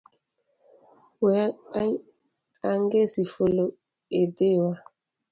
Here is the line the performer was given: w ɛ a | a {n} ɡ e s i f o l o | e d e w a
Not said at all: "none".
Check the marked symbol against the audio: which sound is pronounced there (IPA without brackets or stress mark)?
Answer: ŋ